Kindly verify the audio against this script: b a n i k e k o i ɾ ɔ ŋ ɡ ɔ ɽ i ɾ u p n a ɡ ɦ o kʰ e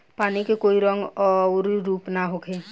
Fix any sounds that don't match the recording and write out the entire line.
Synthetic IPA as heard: p a n i k e k o i ɾ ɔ ŋ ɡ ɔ ɾ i ɾ u p n a ɦ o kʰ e